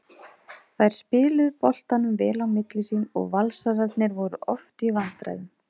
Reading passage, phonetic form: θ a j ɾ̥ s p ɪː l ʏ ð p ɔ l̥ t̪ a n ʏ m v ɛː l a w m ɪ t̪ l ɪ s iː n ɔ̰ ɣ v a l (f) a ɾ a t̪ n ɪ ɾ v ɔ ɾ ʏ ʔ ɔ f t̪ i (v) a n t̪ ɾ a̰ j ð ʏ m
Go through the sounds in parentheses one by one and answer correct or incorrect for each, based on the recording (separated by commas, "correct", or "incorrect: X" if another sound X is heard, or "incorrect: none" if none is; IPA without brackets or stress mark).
incorrect: s, correct